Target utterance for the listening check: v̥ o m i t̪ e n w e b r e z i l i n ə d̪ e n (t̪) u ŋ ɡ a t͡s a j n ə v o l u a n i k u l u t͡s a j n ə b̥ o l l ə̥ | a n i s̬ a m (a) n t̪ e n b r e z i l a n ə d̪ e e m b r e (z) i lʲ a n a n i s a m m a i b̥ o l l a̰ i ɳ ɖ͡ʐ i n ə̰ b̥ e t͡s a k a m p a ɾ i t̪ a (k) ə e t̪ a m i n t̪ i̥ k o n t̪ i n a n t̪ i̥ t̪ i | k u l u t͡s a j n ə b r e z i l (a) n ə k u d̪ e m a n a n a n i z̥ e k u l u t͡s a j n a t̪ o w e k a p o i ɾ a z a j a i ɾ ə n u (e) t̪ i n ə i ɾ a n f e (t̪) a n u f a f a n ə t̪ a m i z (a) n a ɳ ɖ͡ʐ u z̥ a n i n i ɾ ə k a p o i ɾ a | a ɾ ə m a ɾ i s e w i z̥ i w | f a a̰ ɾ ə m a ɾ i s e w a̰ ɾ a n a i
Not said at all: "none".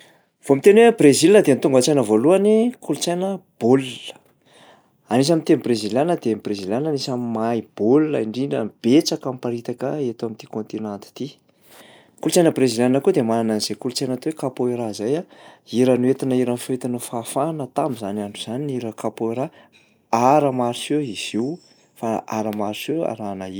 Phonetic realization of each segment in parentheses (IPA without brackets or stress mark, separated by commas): t̪, i, z, k, a, e, t̪, a